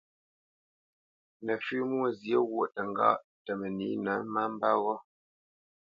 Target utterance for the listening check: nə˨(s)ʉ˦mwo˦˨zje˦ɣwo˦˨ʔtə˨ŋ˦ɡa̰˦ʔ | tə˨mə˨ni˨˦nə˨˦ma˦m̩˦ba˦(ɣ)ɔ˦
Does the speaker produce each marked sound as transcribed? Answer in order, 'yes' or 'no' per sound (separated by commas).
no, yes